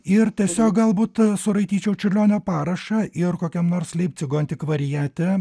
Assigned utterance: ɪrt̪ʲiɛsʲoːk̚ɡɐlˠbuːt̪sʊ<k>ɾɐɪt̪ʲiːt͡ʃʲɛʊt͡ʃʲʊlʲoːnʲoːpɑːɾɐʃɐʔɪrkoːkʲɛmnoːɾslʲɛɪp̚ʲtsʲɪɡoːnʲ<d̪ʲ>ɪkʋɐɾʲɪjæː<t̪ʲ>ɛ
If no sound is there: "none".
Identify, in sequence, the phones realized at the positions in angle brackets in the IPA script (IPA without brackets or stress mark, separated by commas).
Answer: none, t̪ʲ, t̪ʲ